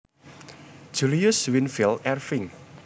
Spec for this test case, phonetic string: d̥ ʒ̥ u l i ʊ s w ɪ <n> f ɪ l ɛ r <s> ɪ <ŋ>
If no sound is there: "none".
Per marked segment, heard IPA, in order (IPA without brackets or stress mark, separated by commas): n, f, ŋ